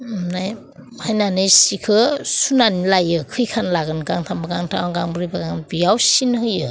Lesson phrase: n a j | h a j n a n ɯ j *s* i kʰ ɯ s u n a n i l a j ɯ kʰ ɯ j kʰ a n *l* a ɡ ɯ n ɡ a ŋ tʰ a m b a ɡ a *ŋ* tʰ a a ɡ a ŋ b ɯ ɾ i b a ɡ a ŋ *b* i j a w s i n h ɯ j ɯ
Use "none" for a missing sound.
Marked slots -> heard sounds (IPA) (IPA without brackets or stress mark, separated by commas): s, l, ŋ, b